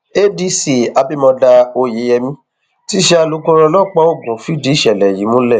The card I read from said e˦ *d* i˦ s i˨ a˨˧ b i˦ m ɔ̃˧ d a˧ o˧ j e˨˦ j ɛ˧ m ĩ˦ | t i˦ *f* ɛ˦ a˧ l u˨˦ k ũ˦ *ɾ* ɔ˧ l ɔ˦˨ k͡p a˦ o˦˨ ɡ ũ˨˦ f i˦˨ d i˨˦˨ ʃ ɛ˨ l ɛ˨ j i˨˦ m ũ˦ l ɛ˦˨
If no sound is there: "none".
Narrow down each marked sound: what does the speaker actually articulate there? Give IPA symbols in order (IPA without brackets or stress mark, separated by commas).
d, ʃ, ɾ